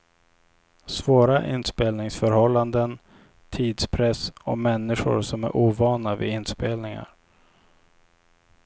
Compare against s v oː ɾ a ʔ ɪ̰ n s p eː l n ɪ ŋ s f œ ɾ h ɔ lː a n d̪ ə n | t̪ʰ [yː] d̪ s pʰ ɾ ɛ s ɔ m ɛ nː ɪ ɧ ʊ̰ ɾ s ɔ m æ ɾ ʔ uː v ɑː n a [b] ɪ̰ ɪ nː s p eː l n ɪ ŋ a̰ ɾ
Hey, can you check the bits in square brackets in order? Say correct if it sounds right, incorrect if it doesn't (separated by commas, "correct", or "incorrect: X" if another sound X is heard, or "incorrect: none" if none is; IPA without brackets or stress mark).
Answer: incorrect: iː, incorrect: v